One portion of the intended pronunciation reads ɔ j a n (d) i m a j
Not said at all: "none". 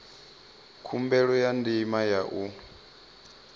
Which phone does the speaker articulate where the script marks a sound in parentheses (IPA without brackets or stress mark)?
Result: d